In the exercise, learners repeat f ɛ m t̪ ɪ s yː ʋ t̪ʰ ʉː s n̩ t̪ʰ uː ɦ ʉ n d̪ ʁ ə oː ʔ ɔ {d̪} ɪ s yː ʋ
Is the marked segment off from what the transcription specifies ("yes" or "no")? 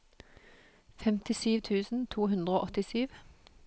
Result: yes